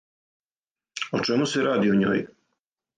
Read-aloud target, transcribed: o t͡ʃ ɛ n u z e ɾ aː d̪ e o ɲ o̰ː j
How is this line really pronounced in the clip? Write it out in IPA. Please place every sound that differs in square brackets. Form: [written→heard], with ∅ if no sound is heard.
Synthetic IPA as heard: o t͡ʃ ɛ [n→m] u [z→s] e ɾ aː d̪ [e→i] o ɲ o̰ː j